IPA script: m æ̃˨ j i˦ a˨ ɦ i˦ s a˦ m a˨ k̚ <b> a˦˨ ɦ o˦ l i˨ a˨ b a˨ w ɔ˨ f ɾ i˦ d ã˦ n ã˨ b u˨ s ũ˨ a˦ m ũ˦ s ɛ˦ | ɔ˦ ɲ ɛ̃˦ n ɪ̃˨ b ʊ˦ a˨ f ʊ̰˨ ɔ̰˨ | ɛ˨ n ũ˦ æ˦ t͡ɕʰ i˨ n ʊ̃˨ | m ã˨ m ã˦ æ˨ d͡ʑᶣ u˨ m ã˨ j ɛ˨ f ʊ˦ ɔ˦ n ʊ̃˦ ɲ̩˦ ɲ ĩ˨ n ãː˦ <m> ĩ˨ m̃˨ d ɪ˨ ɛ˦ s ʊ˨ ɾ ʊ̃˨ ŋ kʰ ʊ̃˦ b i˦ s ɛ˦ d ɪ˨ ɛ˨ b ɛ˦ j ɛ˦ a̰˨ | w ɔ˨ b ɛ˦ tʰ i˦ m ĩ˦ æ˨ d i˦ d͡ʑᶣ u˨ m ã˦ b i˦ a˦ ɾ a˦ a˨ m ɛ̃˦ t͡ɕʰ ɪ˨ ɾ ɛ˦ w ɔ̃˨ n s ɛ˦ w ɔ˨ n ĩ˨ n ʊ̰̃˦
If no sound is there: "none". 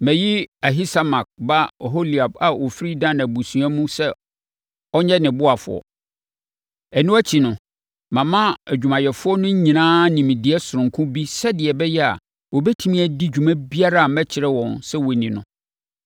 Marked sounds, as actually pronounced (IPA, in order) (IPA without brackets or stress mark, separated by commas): b, n